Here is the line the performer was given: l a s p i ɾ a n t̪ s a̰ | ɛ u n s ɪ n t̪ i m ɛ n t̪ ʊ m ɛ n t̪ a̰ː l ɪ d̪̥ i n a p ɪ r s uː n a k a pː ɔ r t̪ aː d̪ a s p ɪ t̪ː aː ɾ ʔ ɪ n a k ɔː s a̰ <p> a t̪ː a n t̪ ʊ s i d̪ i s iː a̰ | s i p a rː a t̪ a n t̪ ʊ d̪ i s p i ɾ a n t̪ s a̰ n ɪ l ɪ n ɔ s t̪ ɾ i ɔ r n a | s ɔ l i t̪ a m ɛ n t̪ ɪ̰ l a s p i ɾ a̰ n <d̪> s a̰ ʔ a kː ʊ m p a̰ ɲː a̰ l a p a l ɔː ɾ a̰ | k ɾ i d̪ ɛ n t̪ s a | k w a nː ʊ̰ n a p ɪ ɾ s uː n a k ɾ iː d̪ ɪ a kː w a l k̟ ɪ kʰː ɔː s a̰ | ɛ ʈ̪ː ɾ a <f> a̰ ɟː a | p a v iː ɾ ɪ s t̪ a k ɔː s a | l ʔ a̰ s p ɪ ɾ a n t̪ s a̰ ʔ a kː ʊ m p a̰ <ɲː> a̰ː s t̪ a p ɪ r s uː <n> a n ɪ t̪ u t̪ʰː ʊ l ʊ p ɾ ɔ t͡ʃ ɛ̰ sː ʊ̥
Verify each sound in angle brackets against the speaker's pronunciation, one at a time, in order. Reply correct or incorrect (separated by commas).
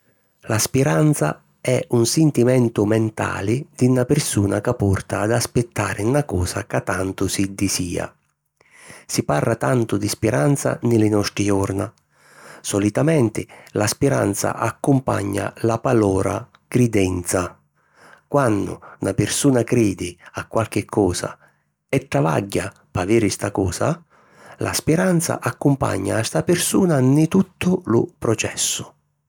incorrect, incorrect, incorrect, correct, correct